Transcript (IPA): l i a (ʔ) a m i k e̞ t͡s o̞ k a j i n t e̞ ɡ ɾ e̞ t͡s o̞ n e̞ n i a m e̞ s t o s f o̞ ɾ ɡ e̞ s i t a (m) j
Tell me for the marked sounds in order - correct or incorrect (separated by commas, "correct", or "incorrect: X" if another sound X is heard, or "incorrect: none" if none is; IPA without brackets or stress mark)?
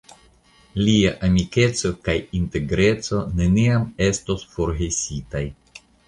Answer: correct, incorrect: none